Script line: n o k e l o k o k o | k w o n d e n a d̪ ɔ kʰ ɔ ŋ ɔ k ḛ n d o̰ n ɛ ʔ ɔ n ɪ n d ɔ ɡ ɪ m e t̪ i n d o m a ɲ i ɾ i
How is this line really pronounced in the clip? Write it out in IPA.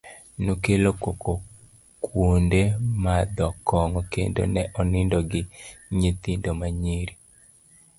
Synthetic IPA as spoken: n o k e l o k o k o | k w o n d e m a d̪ ɔ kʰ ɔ ŋ ɔ k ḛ n d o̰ n ɛ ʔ ɔ n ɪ n d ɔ ɡ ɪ ɲ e t̪ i n d o m a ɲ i ɾ i